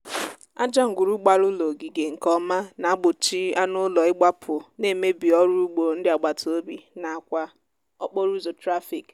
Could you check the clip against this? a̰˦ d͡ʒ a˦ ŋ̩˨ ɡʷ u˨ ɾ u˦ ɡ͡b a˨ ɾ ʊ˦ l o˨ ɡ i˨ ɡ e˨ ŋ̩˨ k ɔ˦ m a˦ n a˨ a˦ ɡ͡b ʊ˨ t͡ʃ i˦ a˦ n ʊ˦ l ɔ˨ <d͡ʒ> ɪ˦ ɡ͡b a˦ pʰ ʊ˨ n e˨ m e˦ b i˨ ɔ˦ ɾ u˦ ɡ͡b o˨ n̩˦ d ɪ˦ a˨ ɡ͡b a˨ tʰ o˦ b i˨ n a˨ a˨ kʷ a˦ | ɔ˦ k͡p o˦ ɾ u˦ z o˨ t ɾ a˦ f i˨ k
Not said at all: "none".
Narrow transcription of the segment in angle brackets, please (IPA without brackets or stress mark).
none